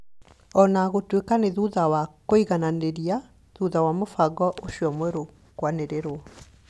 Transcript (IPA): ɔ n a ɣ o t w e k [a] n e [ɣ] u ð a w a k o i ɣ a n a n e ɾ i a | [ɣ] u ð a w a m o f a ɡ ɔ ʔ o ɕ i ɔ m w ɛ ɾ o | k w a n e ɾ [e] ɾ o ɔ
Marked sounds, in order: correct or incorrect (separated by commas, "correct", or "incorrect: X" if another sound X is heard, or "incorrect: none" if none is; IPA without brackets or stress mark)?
correct, incorrect: ð, incorrect: ð, correct